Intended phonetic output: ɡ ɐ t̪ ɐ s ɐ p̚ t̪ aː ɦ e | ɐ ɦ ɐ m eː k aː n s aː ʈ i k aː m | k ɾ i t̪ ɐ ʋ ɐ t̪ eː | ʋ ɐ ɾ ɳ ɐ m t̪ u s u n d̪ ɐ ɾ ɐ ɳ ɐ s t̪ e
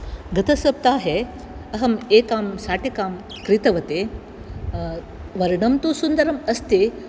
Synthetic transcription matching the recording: ɡ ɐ t̪ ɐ s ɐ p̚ t̪ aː ɦ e | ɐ ɦ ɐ m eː k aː m s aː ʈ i k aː m | k ɾ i t̪ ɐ ʋ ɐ t̪ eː | ʋ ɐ ɾ ɳ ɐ m t̪ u s u n d̪ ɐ ɾ ɐ m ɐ s t̪ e

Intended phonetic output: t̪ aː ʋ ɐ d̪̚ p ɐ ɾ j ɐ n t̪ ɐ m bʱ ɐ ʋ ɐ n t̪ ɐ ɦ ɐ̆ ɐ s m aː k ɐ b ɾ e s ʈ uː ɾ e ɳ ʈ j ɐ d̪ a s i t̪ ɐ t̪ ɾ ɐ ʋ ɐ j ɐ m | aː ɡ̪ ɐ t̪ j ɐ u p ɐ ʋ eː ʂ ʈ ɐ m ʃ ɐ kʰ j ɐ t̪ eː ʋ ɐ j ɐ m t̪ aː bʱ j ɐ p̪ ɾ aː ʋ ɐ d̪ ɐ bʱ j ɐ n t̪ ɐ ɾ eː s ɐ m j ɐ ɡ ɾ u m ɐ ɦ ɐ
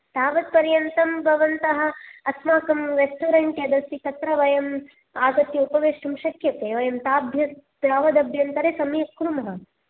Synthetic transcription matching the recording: t̪ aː ʋ ɐ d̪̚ p ɐ ɾ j ɐ n t̪ ɐ m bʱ ɐ ʋ ɐ n t̪ ɐ ɦ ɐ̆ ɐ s m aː k ɐ m ɾ e s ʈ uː ɾ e ɳ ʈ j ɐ d̪ ɐ s i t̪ ɐ t̪ ɾ ɐ ʋ ɐ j ɐ m | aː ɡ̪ ɐ t̪ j ɐ u p ɐ ʋ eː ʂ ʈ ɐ m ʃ ɐ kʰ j ɐ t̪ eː ʋ ɐ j ɐ m t̪ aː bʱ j ɐ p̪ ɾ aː ʋ ɐ d̪ ɐ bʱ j ɐ n t̪ ɐ ɾ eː s ɐ m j ɐ k ɾ u m ɐ ɦ ɐ

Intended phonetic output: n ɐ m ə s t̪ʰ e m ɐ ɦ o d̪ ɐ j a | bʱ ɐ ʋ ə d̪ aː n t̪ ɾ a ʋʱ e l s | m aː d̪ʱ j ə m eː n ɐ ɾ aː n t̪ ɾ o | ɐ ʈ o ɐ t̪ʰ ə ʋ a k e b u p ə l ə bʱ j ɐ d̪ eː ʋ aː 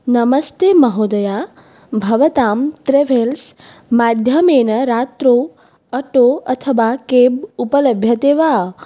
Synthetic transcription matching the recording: n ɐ m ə s t̪ e m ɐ ɦ o d̪ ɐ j a | bʱ ɐ ʋ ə t̪ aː m t̪ ɾ e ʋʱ e l s | m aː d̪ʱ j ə m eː n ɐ ɾ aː t̪ ɾ o | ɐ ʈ o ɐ t̪ʰ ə ʋ a k e b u p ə l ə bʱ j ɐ t̪ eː ʋ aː

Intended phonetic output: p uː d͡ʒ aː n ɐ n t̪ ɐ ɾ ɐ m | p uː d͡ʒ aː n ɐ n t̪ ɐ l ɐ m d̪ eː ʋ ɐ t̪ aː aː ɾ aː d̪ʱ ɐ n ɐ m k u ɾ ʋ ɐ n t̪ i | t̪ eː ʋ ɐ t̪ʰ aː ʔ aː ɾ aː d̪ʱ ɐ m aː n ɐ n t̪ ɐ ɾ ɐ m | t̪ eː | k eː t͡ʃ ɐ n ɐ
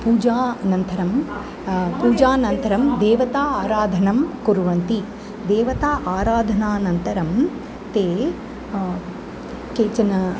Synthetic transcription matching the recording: p uː d͡ʒ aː n ɐ n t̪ ɐ ɾ ɐ m | p uː d͡ʒ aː n ɐ n t̪ ɐ ɾ ɐ m d̪ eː ʋ ɐ t̪ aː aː ɾ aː d̪ʱ ɐ n ɐ m k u ɾ ʋ ɐ n t̪ i | d̪ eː ʋ ɐ t̪ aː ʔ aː ɾ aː d̪ʱ ɐ n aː n ɐ n t̪ ɐ ɾ ɐ m | t̪ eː | k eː t͡ʃ ɐ n ɐ

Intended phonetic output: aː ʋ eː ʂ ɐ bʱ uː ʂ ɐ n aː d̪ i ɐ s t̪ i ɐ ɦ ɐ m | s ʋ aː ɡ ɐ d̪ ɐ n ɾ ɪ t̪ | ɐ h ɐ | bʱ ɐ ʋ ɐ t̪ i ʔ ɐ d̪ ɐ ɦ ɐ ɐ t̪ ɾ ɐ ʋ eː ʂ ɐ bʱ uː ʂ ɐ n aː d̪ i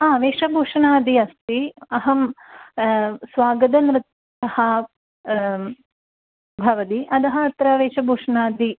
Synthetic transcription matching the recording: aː ʋ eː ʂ ɐ bʱ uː ʂ ɐ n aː d̪ i ɐ s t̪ i ɐ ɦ ɐ m | s ʋ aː ɡ ɐ d̪ ɐ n ɾ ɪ t̪ | ɐ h ɐ | bʱ ɐ ʋ ɐ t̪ i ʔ ɐ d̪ ɐ ɦ ɐ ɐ t̪ ɾ ɐ ʋ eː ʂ ɐ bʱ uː ʂ ɐ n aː d̪ i

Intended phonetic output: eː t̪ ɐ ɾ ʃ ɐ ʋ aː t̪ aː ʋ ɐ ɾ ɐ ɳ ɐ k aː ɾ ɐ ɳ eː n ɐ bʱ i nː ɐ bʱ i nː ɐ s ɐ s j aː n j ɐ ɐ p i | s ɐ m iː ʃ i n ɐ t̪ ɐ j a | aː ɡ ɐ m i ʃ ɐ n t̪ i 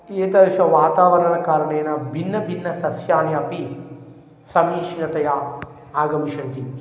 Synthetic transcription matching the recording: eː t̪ ɐ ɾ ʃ ɐ ʋ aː t̪ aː ʋ ɐ ɾ ɐ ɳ ɐ k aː ɾ ɐ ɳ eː n ɐ bʱ i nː ɐ bʱ i nː ɐ s ɐ s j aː n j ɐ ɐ p i | s ɐ m iː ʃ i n ɐ t̪ ɐ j a | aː ɡ ɐ m i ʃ ɐ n t̪ i

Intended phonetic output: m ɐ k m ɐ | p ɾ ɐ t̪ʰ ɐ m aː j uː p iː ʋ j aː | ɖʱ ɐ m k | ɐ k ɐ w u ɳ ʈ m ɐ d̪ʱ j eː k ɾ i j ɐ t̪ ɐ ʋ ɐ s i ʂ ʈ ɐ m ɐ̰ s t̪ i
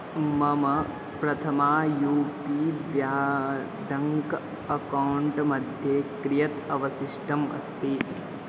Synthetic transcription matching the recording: m ɐ m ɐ | p ɾ ɐ t̪ʰ ɐ m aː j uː p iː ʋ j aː | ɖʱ ɐ ŋ k | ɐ k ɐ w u ɳ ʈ m ɐ d̪ʱ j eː k ɾ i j ɐ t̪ ɐ ʋ ɐ s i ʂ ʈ ɐ m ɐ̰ s t̪ i

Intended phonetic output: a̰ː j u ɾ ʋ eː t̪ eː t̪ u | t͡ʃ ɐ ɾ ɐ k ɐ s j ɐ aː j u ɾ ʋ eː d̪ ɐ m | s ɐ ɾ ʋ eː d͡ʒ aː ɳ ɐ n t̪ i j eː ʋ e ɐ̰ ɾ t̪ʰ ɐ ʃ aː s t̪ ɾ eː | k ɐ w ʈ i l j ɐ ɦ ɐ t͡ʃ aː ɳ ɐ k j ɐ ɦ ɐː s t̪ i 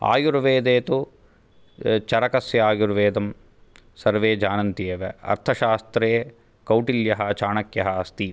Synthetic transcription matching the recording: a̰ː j u ɾ ʋ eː d̪ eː t̪ u | t͡ʃ ɐ ɾ ɐ k ɐ s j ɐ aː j u ɾ ʋ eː d̪ ɐ m | s ɐ ɾ ʋ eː d͡ʒ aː n ɐ n t̪ i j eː ʋ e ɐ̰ ɾ t̪ʰ ɐ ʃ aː s t̪ ɾ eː | k ɐ w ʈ i l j ɐ ɦ ɐ t͡ʃ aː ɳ ɐ k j ɐ ɦ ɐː s t̪ i

